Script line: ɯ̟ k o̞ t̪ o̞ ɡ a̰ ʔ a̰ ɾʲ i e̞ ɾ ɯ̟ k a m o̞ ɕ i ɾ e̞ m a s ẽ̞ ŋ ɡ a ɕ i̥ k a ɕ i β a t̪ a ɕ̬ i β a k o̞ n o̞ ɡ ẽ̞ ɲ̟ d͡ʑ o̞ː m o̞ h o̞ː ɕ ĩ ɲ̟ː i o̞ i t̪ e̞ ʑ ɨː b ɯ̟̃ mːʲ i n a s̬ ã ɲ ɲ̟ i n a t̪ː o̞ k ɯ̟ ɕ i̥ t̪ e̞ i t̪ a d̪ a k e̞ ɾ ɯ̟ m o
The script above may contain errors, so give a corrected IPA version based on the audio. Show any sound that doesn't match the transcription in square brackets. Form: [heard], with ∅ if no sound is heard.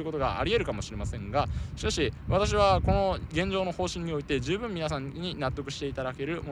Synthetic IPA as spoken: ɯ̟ k o̞ t̪ o̞ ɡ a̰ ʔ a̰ ɾʲ i e̞ ɾ ɯ̟ k a m o̞ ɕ i ɾ e̞ m a s ẽ̞ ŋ ɡ a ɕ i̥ k a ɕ i β a t̪ a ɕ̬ i β a k o̞ n o̞ ɡ ẽ̞ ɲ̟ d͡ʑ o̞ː [n] o̞ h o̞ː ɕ ĩ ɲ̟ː i o̞ i t̪ e̞ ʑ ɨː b ɯ̟̃ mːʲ i n a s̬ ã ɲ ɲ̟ i n a t̪ː o̞ k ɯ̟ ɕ i̥ t̪ e̞ i t̪ a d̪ a k e̞ ɾ ɯ̟ m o